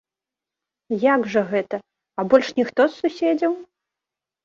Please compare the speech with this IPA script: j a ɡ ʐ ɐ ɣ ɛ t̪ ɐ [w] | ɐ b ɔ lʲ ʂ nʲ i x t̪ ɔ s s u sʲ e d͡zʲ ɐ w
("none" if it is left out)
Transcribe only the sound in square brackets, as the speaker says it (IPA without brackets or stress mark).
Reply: none